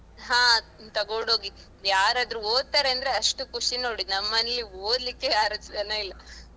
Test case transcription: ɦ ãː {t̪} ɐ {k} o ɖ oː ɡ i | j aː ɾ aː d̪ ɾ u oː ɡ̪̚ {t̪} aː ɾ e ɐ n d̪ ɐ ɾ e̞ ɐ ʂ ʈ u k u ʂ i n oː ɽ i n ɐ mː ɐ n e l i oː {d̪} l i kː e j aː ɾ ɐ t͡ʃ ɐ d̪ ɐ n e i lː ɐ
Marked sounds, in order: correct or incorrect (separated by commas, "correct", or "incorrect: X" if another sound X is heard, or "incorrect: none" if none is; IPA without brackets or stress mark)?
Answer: correct, incorrect: ɡ, correct, correct